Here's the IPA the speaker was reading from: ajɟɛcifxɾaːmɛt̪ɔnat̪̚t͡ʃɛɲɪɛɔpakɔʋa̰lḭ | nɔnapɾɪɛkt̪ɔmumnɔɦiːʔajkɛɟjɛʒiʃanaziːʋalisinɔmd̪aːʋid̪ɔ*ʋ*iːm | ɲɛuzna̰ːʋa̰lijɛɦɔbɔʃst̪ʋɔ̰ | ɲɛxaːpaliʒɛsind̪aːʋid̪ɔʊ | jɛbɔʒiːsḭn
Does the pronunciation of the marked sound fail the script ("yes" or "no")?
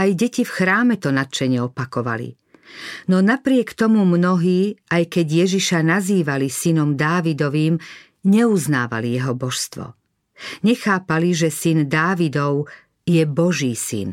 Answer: no